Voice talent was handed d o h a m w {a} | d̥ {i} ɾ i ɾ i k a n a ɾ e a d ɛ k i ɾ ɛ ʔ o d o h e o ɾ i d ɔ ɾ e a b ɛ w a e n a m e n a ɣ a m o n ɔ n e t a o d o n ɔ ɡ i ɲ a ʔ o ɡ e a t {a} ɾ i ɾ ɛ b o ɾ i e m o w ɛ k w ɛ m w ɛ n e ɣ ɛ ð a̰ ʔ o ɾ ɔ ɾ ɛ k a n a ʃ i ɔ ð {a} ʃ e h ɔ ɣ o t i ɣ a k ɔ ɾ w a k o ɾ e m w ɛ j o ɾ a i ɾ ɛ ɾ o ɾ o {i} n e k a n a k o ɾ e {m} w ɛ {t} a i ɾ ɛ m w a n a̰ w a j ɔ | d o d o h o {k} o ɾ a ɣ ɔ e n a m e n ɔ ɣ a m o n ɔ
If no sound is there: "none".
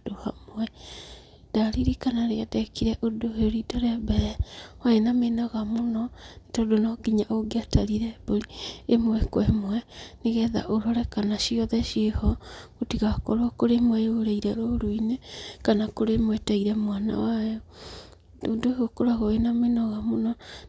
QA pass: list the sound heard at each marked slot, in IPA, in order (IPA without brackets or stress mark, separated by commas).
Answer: ɛ, a, a, ɛ, i, m, t, k